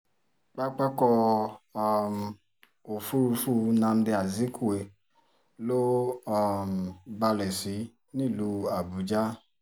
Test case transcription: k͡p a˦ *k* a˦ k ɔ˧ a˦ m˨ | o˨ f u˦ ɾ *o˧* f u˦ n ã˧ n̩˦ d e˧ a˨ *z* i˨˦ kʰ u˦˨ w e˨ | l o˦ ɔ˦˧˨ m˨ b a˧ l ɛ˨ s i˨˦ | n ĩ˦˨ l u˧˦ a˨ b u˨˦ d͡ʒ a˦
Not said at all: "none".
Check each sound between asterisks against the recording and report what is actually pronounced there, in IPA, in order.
k͡p, u˧, z

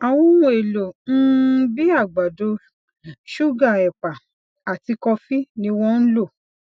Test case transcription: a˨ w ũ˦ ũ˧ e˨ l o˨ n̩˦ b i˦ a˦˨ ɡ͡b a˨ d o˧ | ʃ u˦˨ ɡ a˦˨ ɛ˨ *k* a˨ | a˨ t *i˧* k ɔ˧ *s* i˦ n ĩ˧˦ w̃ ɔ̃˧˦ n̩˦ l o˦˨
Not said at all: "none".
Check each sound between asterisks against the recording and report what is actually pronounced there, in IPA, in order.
k͡p, i˧, f

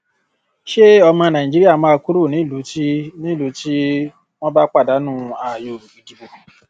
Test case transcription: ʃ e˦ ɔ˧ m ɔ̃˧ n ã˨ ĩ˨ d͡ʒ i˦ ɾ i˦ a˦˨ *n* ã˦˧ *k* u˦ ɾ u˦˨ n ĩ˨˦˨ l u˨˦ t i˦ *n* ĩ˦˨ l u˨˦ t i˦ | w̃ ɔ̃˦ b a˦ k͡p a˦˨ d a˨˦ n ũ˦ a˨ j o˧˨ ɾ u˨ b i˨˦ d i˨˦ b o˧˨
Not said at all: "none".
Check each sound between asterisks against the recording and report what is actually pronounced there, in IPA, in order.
m, k, n

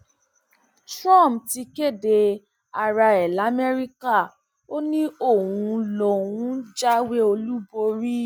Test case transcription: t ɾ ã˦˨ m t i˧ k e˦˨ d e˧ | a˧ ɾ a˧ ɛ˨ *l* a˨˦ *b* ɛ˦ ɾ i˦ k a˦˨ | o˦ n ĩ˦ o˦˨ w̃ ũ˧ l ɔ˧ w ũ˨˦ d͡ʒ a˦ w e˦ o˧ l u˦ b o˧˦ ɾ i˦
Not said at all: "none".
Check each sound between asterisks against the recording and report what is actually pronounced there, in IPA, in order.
l, m

